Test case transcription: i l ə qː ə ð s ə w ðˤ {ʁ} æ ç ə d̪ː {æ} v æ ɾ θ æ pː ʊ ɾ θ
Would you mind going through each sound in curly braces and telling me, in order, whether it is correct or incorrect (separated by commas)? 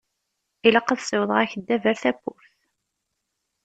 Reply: correct, correct